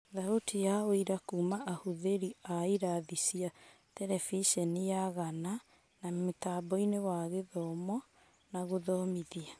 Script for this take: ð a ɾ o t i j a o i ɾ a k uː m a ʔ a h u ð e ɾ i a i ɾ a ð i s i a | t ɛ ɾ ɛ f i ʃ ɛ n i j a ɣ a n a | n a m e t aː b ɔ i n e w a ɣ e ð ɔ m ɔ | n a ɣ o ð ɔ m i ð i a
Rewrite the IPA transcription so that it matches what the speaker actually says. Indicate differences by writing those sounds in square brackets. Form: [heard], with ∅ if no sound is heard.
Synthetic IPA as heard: ð a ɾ o t i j a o i ɾ a k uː m a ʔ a h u ð e ɾ i a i ɾ a ð i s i a | t ɛ ɾ ɛ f i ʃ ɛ n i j a ɣ a n a | n a m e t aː b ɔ i n e w a ɣ e ð ɔ m ɔ | n a ɣ o ð ɔ m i ð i a

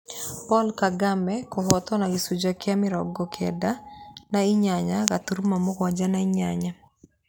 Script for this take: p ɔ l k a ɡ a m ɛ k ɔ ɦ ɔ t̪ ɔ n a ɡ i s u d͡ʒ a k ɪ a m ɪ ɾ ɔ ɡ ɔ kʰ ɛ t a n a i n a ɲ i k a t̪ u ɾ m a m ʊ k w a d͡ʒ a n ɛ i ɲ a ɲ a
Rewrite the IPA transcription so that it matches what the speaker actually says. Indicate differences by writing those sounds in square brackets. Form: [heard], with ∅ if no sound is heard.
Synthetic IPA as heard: p ɔ l k a ɡ a m ɛ k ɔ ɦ ɔ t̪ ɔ n a ɡ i s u d͡ʒ a k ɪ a m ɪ ɾ ɔ ɡ ɔ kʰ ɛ [d] a n a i [ɲ] a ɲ [a] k a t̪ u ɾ m a m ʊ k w a d͡ʒ a n [a] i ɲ a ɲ a

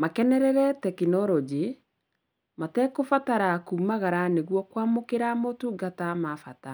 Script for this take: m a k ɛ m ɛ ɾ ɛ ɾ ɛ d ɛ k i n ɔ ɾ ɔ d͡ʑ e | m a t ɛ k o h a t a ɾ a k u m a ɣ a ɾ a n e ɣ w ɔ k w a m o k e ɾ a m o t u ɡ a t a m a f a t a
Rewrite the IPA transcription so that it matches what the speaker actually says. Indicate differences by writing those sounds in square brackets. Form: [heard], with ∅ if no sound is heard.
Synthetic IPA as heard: m a k ɛ [n] ɛ ɾ ɛ ɾ ɛ [t] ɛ k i n ɔ ɾ ɔ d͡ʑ e | m a t ɛ k o [f] a t a ɾ a k u m a ɣ a ɾ a n e ɣ w ɔ k w a m o k e ɾ a m o t u ɡ a t a m a f a t a

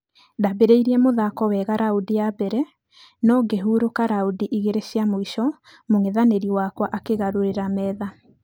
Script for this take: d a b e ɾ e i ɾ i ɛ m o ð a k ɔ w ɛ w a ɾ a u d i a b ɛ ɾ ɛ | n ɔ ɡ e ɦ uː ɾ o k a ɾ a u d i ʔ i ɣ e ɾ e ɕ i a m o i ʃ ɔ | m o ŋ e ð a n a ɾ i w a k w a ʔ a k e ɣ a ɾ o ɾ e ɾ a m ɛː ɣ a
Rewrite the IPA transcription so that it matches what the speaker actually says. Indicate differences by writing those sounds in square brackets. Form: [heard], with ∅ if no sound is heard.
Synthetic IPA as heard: d a b e ɾ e i ɾ i ɛ m o ð a k ɔ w ɛ [ɣ] a ɾ a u d i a b ɛ ɾ ɛ | n ɔ ɡ e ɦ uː ɾ o k a ɾ a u d i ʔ i ɣ e ɾ e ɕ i a m o i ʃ ɔ | m o ŋ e ð a n [e] ɾ i w a k w a ʔ a k e ɣ a ɾ o ɾ e ɾ a m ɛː [ð] a

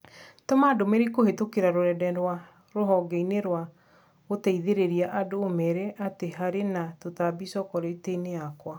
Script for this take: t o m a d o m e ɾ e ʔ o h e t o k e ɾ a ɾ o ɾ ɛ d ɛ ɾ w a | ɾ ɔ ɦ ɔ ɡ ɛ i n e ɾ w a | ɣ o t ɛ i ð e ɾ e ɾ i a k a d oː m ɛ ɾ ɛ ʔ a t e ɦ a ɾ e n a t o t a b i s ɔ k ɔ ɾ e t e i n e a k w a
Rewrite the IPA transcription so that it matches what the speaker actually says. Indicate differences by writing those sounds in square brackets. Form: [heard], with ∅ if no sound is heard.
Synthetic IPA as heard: t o m a d o m e ɾ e [k] o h e t o k e ɾ a ɾ o ɾ ɛ d ɛ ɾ w a | ɾ [o] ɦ ɔ ɡ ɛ i n e ɾ w a | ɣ o t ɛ i ð e ɾ e ɾ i a [ʔ] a d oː m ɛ ɾ ɛ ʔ a t e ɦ a ɾ e n a t o t a b i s ɔ k ɔ ɾ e t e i n e a k w a

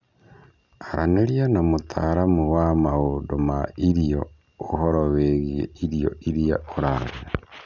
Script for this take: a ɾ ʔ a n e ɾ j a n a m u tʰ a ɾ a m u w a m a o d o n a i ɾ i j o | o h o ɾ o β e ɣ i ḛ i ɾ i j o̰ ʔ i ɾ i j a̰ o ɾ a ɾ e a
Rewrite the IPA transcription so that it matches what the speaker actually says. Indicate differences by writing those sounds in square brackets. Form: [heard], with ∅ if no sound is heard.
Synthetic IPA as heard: a ɾ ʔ a n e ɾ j a n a m u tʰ a ɾ a m u w a m a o d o [m] a i ɾ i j o | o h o ɾ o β e ɣ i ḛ i ɾ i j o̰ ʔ i ɾ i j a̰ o ɾ a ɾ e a

